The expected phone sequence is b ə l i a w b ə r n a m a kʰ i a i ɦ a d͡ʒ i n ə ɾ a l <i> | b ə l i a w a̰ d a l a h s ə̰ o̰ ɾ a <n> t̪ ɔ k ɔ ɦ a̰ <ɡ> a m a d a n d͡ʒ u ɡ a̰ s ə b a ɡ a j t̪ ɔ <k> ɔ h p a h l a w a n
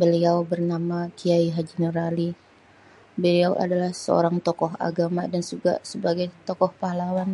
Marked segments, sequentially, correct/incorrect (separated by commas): correct, incorrect, correct, correct